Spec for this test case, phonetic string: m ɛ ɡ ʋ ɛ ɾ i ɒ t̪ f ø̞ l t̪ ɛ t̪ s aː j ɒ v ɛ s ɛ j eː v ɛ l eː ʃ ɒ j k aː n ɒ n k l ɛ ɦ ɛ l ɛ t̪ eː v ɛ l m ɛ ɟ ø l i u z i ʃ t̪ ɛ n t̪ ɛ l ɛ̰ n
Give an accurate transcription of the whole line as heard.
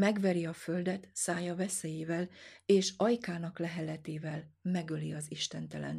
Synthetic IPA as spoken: m ɛ ɡ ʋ ɛ ɾ i ɒ f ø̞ l d̪ ɛ t̪ s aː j ɒ v ɛ s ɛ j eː v ɛ l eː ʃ ɒ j k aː n ɒ k l ɛ ɦ ɛ l ɛ t̪ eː v ɛ l m ɛ ɡ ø l i ɒ z i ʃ t̪ ɛ n t̪ ɛ l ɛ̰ n